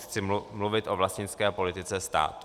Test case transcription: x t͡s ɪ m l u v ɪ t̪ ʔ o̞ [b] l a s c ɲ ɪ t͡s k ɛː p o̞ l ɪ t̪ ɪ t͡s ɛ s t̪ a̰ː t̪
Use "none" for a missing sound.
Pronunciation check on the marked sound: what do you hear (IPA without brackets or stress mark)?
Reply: v